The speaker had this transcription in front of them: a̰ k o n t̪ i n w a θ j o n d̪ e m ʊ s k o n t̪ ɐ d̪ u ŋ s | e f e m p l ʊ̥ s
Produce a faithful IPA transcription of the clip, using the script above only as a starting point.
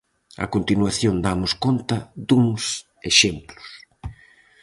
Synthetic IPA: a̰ k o n t̪ i n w a θ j o n d̪ a m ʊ s k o n t̪ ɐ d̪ u ŋ s | e ʃ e m p l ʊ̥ s